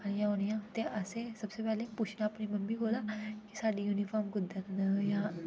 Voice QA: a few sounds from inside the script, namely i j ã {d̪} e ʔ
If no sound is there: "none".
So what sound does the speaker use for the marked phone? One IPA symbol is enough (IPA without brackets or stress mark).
t̪